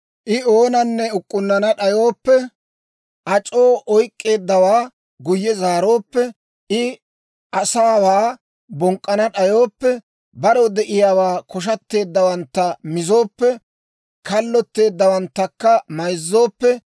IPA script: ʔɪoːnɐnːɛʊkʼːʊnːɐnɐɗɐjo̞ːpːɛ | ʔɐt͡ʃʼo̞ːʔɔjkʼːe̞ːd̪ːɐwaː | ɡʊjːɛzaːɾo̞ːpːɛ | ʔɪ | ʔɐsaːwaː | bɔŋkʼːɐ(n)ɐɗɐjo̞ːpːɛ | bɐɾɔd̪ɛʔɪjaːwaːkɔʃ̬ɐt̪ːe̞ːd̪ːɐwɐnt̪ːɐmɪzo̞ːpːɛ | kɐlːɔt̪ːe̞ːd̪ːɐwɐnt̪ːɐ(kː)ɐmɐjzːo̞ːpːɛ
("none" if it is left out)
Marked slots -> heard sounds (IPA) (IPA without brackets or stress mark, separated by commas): n, kː